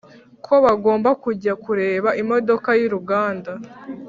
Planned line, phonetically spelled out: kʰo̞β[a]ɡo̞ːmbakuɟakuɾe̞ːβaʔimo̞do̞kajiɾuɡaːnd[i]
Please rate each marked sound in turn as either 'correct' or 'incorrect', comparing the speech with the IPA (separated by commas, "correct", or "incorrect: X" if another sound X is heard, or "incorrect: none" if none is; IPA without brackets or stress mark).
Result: correct, incorrect: a